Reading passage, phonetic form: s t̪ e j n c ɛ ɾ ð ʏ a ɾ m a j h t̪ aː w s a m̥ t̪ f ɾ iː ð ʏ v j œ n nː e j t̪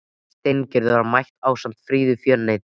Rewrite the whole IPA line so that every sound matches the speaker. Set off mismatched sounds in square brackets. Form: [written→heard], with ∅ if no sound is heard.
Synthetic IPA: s t̪ e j n c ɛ ɾ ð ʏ a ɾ m a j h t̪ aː w s a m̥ t̪ f ɾ iː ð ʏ [v→f] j œ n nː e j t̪